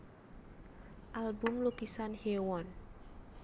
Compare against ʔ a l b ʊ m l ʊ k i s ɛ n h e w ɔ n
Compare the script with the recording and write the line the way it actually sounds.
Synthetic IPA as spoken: ʔ a l b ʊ m l u k i s a n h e w ɔ n